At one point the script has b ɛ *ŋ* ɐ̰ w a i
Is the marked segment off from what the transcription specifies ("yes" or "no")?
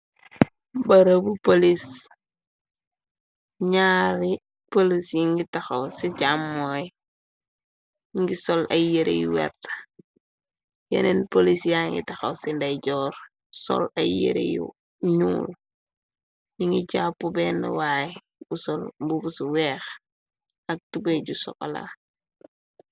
yes